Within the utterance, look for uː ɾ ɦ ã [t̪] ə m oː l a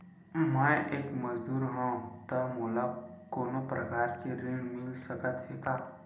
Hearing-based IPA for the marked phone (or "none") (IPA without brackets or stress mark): t̪